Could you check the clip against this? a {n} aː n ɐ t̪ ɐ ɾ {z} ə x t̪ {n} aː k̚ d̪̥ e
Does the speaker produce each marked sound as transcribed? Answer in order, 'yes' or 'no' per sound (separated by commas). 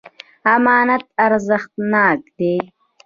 no, yes, yes